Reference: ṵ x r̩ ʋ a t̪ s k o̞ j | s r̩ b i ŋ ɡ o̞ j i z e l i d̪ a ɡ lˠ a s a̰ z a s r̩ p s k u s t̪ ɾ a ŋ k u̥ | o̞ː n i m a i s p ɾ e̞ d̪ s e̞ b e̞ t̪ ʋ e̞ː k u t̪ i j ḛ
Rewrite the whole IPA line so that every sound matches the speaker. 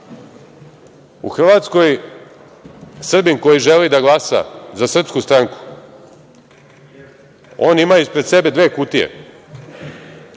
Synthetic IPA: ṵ x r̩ ʋ a t̪ s k o̞ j | s r̩ b i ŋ k o̞ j i ʒ e l i d̪ a ɡ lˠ a s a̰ z a s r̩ p s k u s t̪ ɾ a ŋ k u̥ | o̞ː n i m a i s p ɾ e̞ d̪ s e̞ b e̞ d̪ ʋ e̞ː k u t̪ i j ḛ